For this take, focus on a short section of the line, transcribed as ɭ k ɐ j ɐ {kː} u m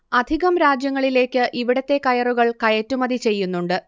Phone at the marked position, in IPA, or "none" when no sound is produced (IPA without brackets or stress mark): tː